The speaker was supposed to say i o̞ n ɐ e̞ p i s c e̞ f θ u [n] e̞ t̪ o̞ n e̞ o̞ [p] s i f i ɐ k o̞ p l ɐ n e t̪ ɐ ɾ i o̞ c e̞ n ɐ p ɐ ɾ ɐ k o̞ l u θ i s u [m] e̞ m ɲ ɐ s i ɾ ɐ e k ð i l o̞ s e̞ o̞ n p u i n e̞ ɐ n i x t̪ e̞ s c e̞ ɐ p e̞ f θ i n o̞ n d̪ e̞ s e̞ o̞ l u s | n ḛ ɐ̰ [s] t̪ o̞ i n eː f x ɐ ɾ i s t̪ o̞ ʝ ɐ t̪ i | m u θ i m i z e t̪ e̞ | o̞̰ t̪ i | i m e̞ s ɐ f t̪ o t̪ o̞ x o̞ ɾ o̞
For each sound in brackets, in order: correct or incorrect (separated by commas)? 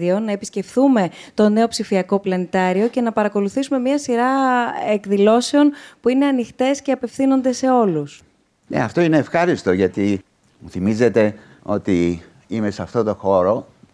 incorrect, correct, correct, incorrect